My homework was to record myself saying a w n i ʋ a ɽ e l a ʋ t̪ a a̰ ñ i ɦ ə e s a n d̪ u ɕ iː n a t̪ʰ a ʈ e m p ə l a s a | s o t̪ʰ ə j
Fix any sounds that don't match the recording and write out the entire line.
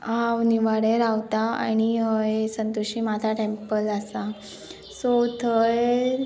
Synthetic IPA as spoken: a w n i ʋ a ɽ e ɾ a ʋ t̪ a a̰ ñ i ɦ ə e s ə n t̪ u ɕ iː m a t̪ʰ a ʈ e m p ə l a s a | s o t̪ʰ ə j